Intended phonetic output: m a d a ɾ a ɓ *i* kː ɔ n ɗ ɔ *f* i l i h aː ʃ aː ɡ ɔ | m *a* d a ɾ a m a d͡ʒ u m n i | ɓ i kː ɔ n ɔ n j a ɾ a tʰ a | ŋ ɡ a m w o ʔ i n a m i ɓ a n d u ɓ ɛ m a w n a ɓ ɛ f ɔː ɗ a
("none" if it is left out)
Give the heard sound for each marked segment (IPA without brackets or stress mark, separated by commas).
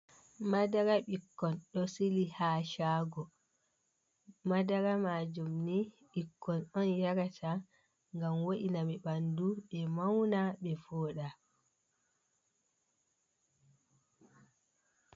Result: i, s, a